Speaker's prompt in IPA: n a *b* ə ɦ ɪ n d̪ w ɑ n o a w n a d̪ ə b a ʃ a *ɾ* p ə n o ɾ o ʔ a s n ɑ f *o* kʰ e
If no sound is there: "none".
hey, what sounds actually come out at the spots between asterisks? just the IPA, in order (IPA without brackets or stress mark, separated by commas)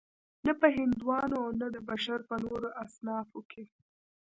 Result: p, ɾ, o